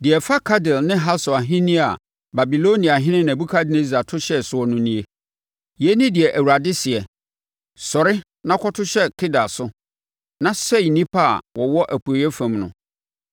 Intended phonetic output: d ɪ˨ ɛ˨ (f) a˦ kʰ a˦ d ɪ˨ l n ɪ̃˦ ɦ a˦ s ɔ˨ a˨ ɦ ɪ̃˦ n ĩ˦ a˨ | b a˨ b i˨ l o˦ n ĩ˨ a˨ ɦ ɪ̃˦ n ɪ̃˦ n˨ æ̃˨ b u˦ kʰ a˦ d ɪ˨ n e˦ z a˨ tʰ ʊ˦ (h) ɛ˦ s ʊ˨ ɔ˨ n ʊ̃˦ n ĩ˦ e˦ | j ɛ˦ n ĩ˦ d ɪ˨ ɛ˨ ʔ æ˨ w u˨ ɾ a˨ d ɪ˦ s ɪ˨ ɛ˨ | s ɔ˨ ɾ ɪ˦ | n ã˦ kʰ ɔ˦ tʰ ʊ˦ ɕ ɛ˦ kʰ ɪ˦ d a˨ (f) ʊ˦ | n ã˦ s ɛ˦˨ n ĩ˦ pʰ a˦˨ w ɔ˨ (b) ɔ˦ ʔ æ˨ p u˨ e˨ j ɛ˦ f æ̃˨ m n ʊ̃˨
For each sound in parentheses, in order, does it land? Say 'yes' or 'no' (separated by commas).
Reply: yes, no, no, no